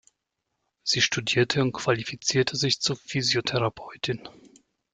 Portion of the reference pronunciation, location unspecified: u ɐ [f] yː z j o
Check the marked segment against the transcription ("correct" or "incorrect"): correct